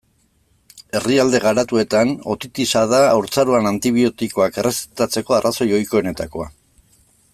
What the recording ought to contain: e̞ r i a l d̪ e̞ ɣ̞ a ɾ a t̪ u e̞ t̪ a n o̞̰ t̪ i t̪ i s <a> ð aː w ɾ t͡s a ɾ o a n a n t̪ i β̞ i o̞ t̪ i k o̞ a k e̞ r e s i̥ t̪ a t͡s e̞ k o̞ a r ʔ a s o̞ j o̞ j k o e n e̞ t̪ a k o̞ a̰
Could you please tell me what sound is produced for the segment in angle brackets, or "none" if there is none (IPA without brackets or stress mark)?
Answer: a